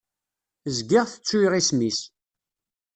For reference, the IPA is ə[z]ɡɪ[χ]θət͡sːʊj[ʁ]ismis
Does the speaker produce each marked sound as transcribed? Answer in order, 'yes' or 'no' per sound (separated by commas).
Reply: yes, no, yes